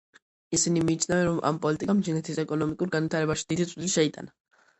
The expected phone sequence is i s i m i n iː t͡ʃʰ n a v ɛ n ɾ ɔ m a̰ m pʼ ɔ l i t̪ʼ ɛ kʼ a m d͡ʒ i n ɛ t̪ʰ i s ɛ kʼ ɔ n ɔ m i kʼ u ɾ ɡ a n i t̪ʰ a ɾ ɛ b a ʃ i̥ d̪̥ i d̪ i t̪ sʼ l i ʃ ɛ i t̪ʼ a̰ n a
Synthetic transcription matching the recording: i s i n i m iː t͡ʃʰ n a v ɛ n ɾ ɔ m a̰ m pʼ ɔ l i t̪ʼ i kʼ a m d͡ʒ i n ɛ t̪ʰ i s ɛ kʼ ɔ n ɔ m i kʼ u ɾ ɡ a n i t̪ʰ a ɾ ɛ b a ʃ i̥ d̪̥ i d̪ i t̪ sʼ l i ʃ ɛ i t̪ʼ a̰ n a